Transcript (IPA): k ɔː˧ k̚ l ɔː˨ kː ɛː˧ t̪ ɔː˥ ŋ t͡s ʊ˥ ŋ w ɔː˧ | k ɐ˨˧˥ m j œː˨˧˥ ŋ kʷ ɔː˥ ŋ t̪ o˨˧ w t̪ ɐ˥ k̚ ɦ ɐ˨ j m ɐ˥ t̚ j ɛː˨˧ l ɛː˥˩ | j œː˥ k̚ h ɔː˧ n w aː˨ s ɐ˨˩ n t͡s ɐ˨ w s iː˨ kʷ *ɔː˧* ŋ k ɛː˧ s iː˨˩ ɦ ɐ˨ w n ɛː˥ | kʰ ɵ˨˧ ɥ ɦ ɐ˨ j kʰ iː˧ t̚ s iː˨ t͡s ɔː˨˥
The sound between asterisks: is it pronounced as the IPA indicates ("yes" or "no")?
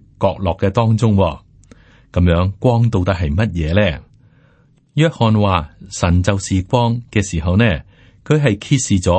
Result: no